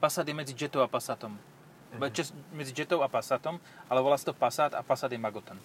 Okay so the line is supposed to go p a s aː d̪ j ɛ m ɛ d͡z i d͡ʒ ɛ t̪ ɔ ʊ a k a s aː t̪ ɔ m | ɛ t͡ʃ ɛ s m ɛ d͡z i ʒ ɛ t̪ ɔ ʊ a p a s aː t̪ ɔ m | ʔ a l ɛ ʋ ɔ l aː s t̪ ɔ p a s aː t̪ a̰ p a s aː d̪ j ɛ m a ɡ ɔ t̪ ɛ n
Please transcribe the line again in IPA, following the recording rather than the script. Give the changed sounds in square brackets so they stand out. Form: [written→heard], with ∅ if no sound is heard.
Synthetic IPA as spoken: p a s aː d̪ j ɛ m ɛ d͡z i d͡ʒ ɛ t̪ ɔ ʊ a [k→p] a s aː t̪ ɔ m | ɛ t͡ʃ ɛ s m ɛ d͡z i [ʒ→d͡ʒ] ɛ t̪ ɔ ʊ a p a s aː t̪ ɔ m | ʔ a l ɛ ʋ ɔ l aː s t̪ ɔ p a s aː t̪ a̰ p a s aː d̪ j ɛ m a ɡ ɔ t̪ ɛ n